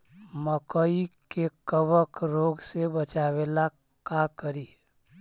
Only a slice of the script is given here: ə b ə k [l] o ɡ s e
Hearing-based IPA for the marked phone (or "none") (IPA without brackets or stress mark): ɾ